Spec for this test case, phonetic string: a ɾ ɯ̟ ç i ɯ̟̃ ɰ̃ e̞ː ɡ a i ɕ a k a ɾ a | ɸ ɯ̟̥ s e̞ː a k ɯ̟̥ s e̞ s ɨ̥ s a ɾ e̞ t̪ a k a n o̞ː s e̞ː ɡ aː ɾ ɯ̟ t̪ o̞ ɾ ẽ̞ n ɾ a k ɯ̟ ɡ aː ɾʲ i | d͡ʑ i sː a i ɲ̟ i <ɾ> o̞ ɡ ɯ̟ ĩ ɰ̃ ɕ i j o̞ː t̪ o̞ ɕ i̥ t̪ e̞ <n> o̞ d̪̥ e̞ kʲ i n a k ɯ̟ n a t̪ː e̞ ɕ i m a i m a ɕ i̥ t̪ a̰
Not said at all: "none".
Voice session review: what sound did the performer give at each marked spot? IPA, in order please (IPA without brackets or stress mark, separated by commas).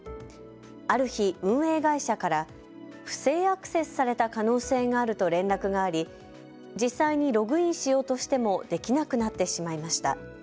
ɾ, m